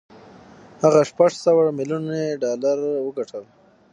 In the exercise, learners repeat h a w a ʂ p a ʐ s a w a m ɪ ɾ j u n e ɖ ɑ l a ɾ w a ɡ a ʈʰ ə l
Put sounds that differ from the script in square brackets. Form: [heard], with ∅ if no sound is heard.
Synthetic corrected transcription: h a [ɣ] a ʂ p a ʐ s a w a m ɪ [l] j u n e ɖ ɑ l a ɾ w [ə] ɡ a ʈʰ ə l